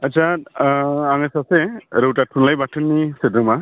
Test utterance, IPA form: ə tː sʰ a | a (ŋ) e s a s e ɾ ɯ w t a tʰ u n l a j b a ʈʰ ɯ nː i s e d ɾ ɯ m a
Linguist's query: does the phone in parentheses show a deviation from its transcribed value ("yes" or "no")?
no